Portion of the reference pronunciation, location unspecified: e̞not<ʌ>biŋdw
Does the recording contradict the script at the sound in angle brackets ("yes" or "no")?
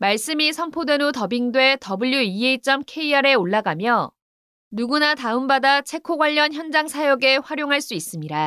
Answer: no